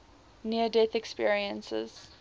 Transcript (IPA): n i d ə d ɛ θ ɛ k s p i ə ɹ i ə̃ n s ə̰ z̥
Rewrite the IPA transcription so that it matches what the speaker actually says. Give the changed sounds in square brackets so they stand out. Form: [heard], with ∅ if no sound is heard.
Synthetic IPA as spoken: n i [∅] ə d ɛ θ ɛ k s p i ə ɹ i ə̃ n s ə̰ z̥